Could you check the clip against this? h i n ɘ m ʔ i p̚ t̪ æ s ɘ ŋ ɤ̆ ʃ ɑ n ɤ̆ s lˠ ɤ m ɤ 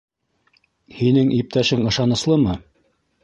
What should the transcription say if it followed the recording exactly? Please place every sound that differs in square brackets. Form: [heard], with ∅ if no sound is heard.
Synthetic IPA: h i n ɘ [ŋ] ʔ i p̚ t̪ æ [ʃ] ɘ ŋ ɤ̆ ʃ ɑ n ɤ̆ s lˠ ɤ m ɤ